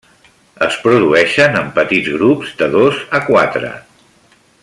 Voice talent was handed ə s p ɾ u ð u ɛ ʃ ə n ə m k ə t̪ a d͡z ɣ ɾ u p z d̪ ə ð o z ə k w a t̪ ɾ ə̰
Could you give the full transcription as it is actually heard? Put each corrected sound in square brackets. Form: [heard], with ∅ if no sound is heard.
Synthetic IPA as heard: ə s p ɾ u ð u ɛ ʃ ə n ə m [p] ə t̪ [i] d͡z ɣ ɾ u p z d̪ ə ð o z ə k w a t̪ ɾ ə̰